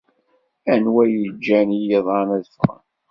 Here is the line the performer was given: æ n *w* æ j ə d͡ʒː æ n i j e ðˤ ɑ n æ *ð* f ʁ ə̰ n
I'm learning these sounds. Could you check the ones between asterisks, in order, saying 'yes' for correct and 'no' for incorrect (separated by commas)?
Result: yes, yes